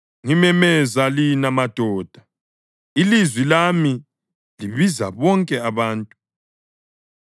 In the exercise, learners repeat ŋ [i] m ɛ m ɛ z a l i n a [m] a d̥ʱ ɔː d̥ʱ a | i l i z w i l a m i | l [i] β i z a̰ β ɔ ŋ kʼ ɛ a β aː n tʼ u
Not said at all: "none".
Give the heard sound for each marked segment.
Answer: i, m, i

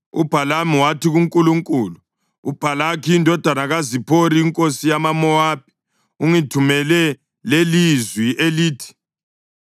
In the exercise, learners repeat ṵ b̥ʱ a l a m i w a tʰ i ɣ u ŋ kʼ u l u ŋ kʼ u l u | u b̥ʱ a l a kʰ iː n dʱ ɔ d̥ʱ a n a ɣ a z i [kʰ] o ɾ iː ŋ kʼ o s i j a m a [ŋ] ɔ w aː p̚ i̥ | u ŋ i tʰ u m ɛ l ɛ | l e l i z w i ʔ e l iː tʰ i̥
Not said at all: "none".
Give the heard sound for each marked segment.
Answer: pʰ, m

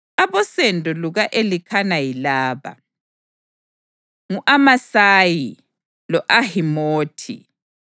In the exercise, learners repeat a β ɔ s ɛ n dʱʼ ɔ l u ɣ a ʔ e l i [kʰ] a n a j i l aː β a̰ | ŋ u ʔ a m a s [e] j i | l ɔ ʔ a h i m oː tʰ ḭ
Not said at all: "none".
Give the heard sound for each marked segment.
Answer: kʰ, a

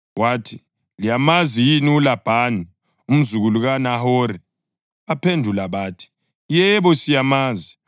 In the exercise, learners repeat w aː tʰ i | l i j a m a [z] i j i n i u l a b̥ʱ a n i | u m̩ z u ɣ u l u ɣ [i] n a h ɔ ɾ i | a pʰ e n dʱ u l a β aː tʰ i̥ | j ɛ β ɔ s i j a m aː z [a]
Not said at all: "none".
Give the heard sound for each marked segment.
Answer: z, a, i

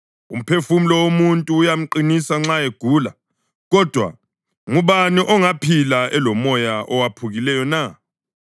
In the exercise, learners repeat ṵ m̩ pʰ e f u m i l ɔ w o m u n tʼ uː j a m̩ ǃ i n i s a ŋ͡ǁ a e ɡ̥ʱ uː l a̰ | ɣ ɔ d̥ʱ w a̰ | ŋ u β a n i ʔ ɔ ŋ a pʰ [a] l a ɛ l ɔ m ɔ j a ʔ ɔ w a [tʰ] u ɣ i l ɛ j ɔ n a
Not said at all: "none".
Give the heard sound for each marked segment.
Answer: i, pʰ

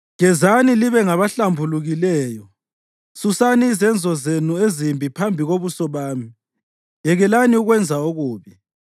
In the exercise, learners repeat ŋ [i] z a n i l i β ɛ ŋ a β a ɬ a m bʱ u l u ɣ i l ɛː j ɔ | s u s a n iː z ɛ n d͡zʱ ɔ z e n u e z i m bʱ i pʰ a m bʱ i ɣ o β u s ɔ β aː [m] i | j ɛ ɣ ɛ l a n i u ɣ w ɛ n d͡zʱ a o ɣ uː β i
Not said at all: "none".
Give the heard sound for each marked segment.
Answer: ɛ, m

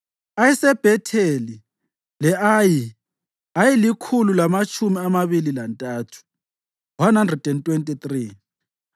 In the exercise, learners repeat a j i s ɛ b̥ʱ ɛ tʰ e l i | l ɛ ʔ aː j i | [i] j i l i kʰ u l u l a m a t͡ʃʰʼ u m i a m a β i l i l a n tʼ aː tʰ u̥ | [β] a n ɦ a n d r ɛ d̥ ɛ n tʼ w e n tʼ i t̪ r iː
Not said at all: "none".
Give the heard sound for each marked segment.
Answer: a, w

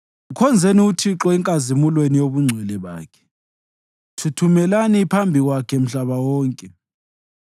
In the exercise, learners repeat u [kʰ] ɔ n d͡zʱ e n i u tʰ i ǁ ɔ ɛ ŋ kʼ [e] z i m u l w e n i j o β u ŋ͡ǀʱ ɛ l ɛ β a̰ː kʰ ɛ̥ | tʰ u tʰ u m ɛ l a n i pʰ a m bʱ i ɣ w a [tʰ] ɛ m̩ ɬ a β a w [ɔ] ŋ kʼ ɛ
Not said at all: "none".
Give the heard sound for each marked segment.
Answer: kʰ, a, kʰ, ɔː

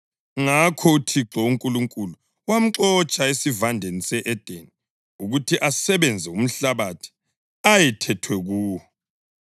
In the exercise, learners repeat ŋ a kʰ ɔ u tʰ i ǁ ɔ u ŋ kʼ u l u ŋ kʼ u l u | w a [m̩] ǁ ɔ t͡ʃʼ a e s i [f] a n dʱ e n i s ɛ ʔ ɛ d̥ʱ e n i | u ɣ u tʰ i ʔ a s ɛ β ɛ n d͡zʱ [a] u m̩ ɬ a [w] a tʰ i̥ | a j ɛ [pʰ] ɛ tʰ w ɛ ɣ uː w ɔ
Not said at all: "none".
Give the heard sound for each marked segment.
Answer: m̩, v, ɛ, β, tʰ

